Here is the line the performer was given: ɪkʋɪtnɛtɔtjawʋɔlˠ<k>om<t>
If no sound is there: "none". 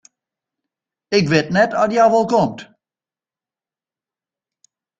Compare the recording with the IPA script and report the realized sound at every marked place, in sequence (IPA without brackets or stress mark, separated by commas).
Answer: k, t